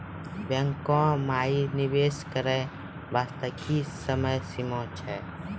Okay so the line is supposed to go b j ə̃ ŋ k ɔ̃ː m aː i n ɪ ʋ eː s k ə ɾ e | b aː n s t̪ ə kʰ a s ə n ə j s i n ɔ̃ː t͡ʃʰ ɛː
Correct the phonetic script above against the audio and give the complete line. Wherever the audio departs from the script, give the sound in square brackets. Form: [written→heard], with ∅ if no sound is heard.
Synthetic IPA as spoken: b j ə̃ ŋ k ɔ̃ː m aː i n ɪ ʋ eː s k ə ɾ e | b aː [n→∅] s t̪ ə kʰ [a→i] s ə [n→m] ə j s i [n→m] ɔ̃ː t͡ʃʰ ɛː